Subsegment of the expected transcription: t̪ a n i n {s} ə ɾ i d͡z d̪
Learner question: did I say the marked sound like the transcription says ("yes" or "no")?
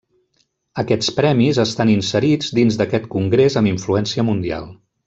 yes